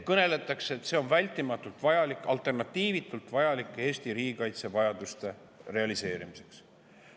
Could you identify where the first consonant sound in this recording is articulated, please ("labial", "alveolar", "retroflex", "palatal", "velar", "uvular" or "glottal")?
velar